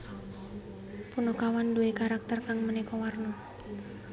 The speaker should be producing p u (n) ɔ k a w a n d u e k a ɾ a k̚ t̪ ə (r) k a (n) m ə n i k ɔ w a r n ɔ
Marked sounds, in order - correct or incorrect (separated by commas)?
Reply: correct, correct, incorrect